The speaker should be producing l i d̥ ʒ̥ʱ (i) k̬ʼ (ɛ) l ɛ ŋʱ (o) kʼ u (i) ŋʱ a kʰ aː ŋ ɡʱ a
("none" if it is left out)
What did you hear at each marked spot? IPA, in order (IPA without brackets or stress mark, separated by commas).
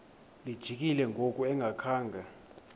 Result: i, i, o, ɛ